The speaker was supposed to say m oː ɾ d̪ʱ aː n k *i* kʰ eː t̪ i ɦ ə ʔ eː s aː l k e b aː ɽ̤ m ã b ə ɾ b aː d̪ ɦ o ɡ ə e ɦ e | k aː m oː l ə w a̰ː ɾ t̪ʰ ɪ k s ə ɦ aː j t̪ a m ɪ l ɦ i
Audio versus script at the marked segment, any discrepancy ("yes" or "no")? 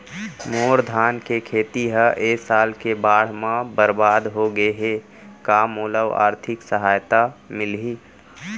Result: yes